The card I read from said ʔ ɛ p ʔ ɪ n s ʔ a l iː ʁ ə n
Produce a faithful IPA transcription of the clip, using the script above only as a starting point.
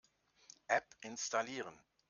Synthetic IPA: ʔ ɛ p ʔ ɪ n s t a l iː ʁ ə n